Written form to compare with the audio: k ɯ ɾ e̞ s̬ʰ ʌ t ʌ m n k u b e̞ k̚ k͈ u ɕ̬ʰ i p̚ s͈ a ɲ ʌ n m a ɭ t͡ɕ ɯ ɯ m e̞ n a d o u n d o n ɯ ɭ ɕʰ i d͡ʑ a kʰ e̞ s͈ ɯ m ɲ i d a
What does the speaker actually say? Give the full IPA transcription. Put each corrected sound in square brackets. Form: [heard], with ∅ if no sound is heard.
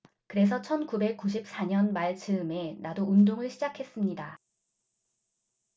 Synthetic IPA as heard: k ɯ ɾ e̞ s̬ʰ ʌ [t͡ɕʰ] ʌ [∅] n k u b e̞ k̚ k͈ u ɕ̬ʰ i p̚ s͈ a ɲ ʌ n m a ɭ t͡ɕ ɯ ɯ m e̞ n a d o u n d o [ŋ] ɯ ɭ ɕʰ i d͡ʑ a kʰ e̞ s͈ ɯ m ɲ i d a